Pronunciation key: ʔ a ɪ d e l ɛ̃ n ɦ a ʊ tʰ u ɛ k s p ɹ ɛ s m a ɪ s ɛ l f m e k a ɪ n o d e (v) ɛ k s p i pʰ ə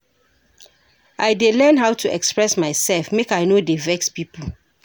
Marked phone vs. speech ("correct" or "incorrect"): correct